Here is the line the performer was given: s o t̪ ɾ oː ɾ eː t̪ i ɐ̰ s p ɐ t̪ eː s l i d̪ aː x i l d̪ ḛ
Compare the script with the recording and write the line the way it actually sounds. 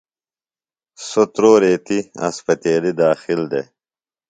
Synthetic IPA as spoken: s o t̪ ɾ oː ɾ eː t̪ i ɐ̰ s p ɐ t̪ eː l i d̪ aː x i l d̪ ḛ